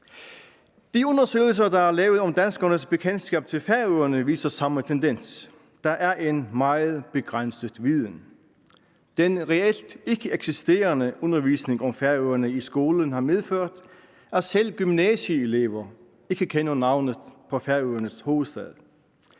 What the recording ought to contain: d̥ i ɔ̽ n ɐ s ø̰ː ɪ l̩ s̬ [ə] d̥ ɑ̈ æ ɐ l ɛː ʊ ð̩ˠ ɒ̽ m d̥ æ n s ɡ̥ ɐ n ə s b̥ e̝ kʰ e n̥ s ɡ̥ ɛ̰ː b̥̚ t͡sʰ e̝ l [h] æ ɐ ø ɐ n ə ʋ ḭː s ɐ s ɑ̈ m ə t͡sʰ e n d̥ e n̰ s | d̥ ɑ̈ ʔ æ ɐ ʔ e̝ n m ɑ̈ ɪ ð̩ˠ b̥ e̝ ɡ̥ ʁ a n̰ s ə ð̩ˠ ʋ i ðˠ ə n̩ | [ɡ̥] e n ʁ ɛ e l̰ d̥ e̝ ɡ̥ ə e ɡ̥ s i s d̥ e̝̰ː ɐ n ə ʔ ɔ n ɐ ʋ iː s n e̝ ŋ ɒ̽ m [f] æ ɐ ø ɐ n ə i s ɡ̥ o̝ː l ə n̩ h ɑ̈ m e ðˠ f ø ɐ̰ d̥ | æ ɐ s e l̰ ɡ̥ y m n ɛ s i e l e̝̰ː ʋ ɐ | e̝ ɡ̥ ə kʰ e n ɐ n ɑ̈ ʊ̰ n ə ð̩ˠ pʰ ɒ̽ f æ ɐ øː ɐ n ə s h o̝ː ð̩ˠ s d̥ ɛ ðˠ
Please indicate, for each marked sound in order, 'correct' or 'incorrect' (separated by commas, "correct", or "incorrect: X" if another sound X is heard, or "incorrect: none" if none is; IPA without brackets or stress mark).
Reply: incorrect: ɐ, incorrect: f, incorrect: d̥, correct